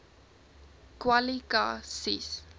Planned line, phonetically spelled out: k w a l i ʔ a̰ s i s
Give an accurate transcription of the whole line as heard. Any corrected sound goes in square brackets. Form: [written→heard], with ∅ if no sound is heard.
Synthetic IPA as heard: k w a l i [ʔ→k] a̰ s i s